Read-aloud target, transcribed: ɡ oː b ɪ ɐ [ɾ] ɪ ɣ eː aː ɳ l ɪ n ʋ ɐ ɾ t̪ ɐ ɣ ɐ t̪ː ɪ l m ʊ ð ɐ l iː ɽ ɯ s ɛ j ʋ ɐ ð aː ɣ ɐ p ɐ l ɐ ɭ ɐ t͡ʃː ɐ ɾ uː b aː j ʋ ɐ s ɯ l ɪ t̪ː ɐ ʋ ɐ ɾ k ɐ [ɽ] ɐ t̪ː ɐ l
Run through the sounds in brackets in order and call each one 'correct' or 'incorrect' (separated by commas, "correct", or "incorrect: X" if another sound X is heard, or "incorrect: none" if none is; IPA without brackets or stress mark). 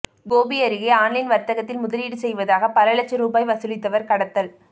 correct, correct